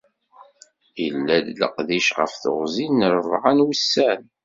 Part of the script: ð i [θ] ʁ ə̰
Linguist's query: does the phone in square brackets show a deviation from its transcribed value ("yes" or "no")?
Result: yes